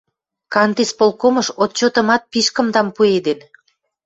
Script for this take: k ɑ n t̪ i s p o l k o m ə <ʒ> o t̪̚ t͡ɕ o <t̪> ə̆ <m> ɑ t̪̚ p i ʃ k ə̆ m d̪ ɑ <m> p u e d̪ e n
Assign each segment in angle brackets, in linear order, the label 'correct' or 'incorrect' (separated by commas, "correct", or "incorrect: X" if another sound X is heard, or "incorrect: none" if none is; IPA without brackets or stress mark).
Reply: incorrect: ʃ, correct, correct, correct